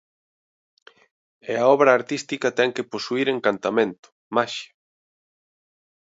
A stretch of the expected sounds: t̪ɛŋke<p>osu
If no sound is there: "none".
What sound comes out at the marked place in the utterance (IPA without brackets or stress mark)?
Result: p